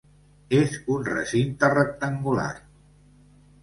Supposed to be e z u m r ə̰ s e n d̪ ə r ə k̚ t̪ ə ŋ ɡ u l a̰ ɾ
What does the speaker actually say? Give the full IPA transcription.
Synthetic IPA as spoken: e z u n r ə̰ s i n t̪ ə r ə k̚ t̪ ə ŋ ɡ u l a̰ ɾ